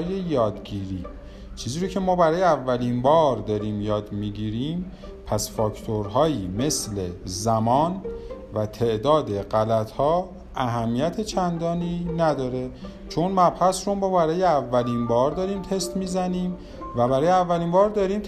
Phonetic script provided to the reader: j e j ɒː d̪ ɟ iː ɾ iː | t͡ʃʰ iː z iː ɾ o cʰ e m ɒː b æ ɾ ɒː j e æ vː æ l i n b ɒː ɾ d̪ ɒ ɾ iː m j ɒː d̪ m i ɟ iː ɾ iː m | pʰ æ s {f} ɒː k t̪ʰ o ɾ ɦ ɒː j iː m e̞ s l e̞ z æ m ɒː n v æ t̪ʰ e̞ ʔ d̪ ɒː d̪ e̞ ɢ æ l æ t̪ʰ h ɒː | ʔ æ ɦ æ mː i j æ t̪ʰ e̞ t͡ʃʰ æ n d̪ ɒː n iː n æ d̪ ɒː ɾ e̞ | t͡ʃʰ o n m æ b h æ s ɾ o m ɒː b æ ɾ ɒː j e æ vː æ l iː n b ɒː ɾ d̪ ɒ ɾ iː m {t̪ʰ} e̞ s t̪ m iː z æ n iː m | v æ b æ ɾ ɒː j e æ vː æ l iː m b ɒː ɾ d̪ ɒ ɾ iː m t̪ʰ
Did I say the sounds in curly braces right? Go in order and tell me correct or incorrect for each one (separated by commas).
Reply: correct, correct